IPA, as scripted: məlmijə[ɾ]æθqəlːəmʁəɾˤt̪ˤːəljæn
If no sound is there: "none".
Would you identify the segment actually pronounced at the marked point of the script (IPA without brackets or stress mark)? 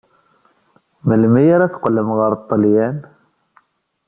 ɾ